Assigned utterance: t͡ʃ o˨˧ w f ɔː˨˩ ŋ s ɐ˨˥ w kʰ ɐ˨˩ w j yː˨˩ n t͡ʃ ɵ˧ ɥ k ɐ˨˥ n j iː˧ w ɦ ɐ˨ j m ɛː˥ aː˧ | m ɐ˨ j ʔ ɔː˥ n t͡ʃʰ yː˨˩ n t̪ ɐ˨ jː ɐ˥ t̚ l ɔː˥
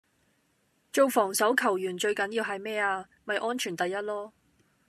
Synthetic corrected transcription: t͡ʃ o˨˧ w f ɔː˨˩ ŋ s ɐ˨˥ w kʰ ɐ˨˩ w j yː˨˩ n t͡ʃ ɵ˧ ɥ k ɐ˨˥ n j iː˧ w ɦ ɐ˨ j m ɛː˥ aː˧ | m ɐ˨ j ʔ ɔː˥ n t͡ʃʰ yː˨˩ n t̪ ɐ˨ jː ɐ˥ t̚ l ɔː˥

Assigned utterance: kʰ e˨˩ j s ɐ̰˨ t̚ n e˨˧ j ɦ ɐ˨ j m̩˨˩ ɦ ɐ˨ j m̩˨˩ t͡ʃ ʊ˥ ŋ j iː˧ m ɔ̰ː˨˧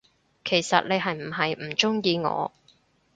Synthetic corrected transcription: kʰ e˨˩ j s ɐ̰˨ t̚ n e˨˧ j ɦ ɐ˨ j m̩˨˩ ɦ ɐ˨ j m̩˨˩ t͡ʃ ʊ˥ ŋ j iː˧ ŋ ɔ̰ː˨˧

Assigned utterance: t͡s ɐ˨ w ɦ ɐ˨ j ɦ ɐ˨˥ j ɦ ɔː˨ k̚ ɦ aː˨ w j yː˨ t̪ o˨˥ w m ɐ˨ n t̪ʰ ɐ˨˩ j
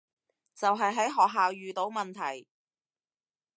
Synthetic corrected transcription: t͡s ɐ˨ w ɦ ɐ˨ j ɦ ɐ˨˥ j ɦ ɔː˨ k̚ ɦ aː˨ w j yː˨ t̪ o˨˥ w m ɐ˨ n t̪ʰ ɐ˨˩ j

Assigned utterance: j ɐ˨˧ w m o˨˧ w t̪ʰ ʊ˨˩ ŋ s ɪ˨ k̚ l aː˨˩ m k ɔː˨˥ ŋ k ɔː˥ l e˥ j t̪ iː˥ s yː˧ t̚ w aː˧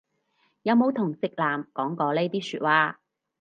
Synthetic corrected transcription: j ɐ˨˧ w m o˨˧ w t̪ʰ ʊ˨˩ ŋ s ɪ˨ k̚ l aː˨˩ m k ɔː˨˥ ŋ k ɔː˨˧ l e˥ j t̪ iː˥ s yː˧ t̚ w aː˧

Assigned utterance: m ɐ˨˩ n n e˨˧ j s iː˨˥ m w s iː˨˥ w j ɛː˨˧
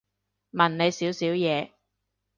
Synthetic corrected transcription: m ɐ˨˩ n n e˨˧ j s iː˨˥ w s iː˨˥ w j ɛː˨˧

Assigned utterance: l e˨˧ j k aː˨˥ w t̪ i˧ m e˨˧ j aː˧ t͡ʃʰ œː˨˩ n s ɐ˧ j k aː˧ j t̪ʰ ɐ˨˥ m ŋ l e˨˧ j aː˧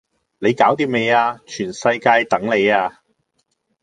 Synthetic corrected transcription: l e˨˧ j k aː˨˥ w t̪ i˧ m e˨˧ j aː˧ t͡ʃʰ yː˨˩ n s ɐ˧ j k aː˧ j t̪ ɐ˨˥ ŋ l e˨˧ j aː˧

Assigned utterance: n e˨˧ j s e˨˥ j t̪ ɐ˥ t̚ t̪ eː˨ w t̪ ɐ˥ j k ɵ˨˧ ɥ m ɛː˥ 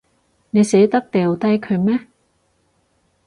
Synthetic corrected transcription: n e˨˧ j s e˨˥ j t̪ ɐ˥ k̚ t̪ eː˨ w t̪ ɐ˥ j kʰ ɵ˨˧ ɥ m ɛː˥

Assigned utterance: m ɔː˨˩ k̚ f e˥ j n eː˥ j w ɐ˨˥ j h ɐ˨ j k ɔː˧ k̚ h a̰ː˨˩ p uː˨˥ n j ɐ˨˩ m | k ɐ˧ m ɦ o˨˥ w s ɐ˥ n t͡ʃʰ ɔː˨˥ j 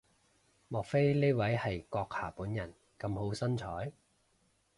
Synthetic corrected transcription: m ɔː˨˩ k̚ f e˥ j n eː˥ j w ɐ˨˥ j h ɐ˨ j k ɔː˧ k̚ h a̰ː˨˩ p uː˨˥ n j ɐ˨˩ n | k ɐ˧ m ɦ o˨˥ w s ɐ˥ n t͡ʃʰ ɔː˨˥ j

